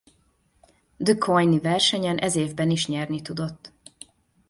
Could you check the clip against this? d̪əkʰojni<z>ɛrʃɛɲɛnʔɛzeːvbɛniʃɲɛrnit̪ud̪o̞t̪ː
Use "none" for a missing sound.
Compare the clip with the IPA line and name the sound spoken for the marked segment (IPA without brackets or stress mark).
v